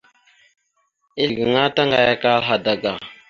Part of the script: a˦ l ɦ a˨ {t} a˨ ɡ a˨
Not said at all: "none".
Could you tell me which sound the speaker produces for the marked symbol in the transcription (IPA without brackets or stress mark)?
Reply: d